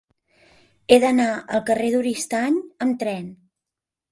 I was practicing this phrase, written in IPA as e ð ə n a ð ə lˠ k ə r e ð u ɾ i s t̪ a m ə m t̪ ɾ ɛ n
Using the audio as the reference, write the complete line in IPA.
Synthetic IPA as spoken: e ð ə n a ə lˠ k ə r e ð u ɾ i s t̪ a ɲ ə m t̪ ɾ ɛ n